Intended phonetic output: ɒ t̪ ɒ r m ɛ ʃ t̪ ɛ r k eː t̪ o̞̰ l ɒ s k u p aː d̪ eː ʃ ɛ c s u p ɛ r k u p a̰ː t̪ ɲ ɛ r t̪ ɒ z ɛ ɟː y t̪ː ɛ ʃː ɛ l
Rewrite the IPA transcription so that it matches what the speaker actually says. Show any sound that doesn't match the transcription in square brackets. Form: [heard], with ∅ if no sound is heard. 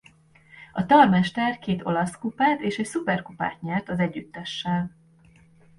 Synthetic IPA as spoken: ɒ t̪ ɒ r m ɛ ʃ t̪ ɛ r k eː t̪ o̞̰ l ɒ s k u p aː [t̪] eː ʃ ɛ c s u p ɛ r k u p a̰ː t̪ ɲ ɛ r t̪ ɒ z ɛ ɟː y t̪ː ɛ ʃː ɛ l